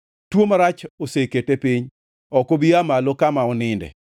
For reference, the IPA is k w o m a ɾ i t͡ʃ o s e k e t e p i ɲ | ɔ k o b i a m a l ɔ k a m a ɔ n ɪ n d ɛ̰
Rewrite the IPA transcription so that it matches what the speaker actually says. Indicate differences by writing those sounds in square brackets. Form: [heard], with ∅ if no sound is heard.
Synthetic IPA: [t] w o m a ɾ [a] t͡ʃ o s e k e t e p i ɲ | ɔ k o b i a m a l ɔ k a m a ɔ n ɪ n d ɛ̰